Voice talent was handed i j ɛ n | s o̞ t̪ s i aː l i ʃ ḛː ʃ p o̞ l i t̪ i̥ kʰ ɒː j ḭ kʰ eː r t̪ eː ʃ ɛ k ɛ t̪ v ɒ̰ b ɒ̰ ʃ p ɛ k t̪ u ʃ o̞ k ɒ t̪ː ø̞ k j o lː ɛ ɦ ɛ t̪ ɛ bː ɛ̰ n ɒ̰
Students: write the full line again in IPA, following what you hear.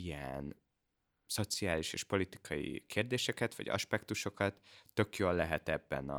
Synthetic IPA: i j ɛ n | s o̞ t̪ s i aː l i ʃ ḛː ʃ p o̞ l i t̪ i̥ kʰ ɒ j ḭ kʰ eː r d̪ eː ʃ ɛ k ɛ t̪ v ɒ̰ ɟ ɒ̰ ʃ p ɛ k t̪ u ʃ o̞ k ɒ t̪ː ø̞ k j o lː ɛ ɦ ɛ t̪ ɛ bː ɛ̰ n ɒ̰